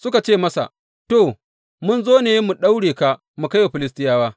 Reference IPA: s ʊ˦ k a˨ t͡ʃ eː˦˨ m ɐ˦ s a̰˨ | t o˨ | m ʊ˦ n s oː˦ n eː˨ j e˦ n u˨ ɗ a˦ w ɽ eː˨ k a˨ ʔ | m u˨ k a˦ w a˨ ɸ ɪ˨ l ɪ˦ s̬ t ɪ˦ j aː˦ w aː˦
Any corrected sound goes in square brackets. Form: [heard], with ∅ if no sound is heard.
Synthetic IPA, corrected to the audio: s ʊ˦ k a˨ t͡ʃ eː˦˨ m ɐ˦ s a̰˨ | t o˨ | m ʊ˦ n [z] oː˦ n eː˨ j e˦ [m] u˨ ɗ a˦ w ɽ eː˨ k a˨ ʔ | m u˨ k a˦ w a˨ ɸ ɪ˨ l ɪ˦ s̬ t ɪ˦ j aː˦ w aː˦